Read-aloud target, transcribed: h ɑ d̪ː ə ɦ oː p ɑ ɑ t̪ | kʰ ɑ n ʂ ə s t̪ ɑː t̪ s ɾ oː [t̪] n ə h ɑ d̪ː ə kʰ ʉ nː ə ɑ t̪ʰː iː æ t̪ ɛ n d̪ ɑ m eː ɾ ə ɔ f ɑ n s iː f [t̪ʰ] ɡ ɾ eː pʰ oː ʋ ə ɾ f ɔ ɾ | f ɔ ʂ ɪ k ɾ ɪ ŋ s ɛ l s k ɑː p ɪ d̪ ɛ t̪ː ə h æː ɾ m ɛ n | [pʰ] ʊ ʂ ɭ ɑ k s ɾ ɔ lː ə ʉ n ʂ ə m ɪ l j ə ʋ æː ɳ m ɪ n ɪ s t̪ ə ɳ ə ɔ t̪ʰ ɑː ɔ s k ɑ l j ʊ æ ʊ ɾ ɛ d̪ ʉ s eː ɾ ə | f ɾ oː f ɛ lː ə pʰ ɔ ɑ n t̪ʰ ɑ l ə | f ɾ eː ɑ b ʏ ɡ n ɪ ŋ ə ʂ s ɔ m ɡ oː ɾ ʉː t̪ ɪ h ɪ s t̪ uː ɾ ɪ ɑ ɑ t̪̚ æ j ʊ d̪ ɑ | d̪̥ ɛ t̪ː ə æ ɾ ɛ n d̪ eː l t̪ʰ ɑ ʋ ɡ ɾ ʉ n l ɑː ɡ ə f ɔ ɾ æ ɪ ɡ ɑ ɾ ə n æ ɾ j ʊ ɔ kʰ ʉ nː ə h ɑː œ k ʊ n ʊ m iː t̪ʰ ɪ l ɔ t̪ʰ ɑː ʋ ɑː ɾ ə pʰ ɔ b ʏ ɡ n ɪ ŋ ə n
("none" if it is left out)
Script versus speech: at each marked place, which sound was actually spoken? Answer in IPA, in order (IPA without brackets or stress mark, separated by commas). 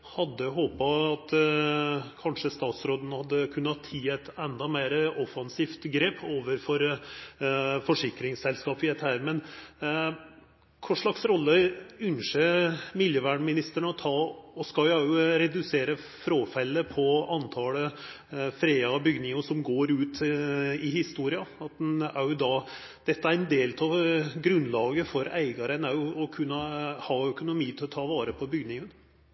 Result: d̪, t̪, kʰ